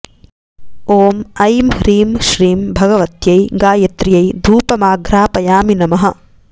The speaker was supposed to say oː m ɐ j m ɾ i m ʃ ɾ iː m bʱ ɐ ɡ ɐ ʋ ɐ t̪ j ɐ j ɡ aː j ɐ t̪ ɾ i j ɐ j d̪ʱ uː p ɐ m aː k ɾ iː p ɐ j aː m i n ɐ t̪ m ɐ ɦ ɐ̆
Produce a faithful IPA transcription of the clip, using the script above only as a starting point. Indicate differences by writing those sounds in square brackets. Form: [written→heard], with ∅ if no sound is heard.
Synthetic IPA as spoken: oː m ɐ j m ɾ [i→iː] m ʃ ɾ iː m bʱ ɐ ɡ ɐ ʋ ɐ t̪ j ɐ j ɡ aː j ɐ t̪ ɾ i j ɐ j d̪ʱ uː p ɐ m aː [k→ɡ] ɾ [iː→aː] p ɐ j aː m i n ɐ [t̪→∅] m ɐ ɦ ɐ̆